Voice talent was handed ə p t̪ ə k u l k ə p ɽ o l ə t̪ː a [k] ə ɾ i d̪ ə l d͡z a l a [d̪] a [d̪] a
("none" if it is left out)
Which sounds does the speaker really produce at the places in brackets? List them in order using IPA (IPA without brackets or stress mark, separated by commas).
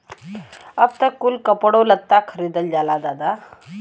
kʰ, d̪, d̪